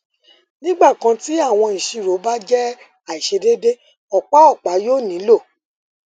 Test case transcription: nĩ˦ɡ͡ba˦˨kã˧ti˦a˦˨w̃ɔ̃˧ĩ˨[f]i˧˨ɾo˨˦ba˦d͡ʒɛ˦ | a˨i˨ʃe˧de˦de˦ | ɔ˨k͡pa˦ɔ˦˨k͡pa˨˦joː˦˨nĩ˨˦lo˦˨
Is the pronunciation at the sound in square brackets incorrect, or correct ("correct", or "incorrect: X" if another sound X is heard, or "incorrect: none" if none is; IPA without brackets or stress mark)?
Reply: incorrect: ʃ